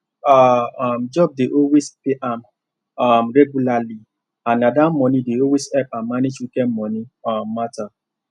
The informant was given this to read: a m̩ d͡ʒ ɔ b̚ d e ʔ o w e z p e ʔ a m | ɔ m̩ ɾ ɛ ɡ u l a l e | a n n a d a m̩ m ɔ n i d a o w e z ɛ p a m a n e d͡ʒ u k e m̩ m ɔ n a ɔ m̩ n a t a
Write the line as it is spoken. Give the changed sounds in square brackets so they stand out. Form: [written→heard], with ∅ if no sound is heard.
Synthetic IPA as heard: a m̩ d͡ʒ ɔ b̚ d e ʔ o w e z p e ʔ a m | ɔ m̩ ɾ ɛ ɡ u l a l [e→i] | a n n a d a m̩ m ɔ n i d [a→e] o w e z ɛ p a m a n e d͡ʒ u k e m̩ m ɔ n [a→i] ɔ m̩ [n→m] a t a